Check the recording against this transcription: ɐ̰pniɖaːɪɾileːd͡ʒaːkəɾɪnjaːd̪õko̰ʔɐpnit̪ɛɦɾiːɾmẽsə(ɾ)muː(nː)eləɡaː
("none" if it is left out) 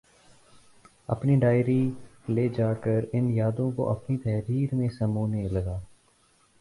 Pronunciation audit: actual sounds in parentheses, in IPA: none, n

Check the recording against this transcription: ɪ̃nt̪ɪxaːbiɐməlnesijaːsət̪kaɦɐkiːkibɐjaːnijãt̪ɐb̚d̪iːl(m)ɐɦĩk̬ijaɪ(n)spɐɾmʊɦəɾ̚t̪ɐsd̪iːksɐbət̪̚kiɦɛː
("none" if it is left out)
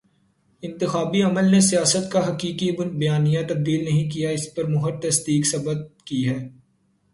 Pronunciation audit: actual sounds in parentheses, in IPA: n, none

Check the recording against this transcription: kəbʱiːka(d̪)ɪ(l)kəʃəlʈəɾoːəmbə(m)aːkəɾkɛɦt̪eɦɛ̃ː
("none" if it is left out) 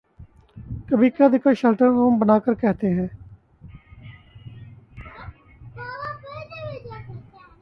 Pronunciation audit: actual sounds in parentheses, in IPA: d̪, none, n

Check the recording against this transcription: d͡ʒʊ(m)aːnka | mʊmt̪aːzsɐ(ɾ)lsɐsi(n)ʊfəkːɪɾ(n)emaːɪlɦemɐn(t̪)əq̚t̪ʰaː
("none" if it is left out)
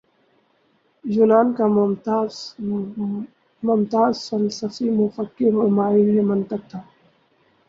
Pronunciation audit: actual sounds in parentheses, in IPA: n, none, m, m, t̪

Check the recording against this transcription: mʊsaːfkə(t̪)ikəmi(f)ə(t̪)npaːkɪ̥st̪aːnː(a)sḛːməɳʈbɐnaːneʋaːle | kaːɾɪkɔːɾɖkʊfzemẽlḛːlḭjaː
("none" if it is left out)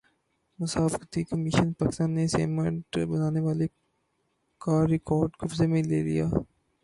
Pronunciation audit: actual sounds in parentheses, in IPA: t̪, ʃ, none, e

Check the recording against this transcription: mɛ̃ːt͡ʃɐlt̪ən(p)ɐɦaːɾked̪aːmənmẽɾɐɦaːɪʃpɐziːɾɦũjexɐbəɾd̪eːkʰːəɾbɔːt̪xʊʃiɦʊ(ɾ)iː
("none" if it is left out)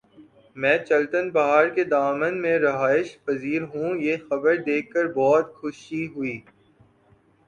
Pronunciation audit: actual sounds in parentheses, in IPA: b, none

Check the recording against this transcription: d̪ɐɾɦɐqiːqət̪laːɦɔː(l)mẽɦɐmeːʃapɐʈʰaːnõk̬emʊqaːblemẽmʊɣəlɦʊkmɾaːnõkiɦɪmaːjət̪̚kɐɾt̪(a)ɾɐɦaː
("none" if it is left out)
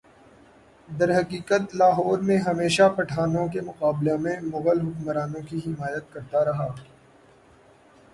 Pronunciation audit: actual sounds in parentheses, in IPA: ɾ, a

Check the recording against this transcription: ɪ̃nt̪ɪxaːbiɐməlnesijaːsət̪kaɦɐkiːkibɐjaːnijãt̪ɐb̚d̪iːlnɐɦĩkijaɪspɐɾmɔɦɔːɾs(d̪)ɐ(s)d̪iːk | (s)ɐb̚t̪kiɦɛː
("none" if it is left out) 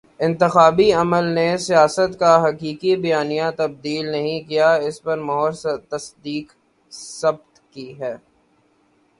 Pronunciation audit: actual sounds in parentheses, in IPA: t̪, s, s

